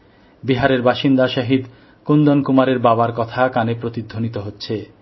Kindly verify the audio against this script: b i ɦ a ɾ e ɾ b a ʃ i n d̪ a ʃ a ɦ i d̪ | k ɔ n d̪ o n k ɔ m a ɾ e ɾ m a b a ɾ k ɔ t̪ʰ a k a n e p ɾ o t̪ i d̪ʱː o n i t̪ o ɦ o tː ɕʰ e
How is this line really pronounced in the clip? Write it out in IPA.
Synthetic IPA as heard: b i ɦ a ɾ e ɾ b a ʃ i n d̪ a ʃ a ɦ i d̪ | k u n d̪ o n k u m a ɾ e ɾ b a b a ɾ k ɔ t̪ʰ a k a n e p ɾ o t̪ i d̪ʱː o n i t̪ o ɦ o tː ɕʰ e